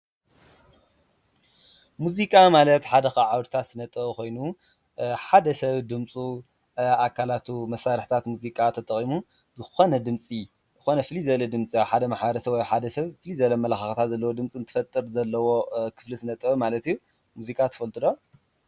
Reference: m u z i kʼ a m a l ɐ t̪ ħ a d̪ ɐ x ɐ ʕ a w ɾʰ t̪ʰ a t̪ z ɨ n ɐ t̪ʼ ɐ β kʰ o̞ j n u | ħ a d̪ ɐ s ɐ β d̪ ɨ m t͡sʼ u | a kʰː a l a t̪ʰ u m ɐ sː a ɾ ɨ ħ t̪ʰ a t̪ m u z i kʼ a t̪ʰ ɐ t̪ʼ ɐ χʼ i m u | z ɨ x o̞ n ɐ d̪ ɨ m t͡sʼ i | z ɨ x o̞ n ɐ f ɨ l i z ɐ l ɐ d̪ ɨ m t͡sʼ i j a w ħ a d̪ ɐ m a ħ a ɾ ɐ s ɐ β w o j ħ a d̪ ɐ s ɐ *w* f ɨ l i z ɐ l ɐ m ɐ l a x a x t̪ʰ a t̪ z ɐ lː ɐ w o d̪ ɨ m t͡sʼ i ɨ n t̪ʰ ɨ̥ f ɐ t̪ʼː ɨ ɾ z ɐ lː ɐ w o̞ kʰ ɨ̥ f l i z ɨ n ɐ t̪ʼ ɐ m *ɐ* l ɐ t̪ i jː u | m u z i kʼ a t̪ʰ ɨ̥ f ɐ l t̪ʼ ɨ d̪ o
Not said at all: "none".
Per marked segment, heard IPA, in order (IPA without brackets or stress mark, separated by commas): β, a